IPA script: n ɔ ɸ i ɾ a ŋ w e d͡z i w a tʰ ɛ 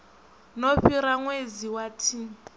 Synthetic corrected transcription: n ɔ ɸ i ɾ a ŋ w e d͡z i w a tʰ i